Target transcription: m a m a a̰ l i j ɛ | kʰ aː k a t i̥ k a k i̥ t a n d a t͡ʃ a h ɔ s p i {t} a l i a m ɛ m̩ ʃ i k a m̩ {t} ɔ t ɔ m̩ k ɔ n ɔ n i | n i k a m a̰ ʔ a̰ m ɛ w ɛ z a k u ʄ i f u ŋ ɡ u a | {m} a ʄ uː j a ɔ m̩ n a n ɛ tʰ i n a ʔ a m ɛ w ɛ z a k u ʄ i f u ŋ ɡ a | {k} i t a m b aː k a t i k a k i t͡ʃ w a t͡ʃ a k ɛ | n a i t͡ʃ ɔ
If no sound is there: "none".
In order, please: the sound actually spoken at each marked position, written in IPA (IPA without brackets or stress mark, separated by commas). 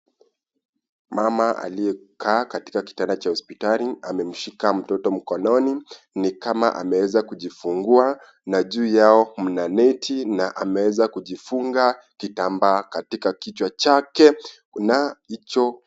t, t, n, k